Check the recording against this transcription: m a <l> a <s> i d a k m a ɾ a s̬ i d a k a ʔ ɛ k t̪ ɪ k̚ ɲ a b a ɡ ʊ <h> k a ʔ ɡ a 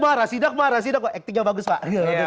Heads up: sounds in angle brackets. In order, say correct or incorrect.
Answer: incorrect: ɾ, correct, incorrect: s

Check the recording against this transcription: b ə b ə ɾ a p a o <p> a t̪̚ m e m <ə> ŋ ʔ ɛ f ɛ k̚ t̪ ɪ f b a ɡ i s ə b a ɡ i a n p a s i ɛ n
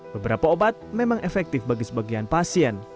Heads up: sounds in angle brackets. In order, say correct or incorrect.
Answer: incorrect: b, incorrect: a

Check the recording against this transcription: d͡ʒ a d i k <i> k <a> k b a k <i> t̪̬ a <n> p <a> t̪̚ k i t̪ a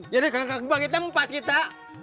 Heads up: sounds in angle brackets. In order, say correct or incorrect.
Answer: incorrect: a, correct, correct, incorrect: m, correct

